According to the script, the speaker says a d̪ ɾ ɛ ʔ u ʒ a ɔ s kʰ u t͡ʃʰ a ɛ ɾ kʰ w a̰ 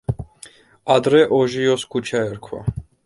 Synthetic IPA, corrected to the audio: a d̪ ɾ ɛ ʔ ɔ ʒ i ɔ s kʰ u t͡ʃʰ a ɛ ɾ kʰ w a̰